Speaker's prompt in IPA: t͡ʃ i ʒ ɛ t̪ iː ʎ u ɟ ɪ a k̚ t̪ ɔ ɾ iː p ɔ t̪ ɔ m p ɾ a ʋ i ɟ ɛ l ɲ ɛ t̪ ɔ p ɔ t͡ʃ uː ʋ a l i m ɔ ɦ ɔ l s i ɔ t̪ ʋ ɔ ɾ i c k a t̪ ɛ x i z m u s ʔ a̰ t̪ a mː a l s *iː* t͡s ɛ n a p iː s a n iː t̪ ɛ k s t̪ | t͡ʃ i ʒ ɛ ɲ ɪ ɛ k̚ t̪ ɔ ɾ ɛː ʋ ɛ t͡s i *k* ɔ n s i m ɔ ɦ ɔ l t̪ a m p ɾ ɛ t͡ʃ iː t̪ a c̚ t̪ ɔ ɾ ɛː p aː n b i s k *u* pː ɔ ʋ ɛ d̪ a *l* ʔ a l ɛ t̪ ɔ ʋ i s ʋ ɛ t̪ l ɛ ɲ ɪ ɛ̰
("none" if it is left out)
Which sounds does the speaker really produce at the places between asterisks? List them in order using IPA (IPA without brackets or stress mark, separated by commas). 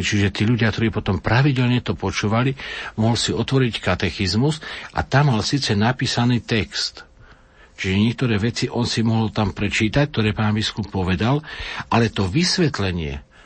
iː, ʔ, u, l